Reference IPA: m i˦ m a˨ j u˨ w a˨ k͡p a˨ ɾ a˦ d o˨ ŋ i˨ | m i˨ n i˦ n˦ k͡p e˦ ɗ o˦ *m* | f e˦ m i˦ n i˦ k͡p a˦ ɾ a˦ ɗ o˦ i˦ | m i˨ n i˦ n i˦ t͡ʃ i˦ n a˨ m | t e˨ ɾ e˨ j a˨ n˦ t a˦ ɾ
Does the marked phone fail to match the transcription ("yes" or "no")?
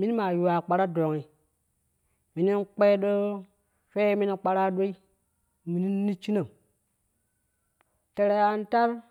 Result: yes